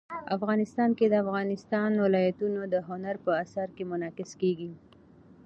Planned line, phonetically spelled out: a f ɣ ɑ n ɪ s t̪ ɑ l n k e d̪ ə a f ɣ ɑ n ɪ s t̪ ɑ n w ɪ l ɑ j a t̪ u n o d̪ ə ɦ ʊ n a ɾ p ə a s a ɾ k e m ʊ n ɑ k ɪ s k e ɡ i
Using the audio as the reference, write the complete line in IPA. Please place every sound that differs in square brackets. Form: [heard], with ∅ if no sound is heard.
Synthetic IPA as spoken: a f ɣ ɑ n ɪ s t̪ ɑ [∅] n k e d̪ ə a f ɣ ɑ n ɪ s t̪ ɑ n w ɪ l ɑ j a t̪ u n o d̪ ə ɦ ʊ n a ɾ p ə a s a ɾ k e m ʊ n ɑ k ɪ s k e ɡ i